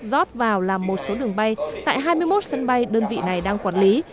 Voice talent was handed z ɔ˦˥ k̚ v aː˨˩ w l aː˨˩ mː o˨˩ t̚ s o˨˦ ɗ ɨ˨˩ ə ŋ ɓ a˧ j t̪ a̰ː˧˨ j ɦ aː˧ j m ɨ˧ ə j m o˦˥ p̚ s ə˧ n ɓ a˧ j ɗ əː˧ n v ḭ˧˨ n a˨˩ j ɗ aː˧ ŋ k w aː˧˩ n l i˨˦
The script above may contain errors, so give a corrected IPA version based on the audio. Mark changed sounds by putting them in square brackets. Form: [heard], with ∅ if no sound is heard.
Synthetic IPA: z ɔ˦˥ [t̚] v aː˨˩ w l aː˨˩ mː o˨˩ t̚ s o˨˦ ɗ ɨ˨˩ ə ŋ ɓ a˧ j t̪ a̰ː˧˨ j ɦ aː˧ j m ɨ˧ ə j m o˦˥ [t̚] s ə˧ n ɓ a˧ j ɗ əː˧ n v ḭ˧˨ n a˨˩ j ɗ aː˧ ŋ k w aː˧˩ n l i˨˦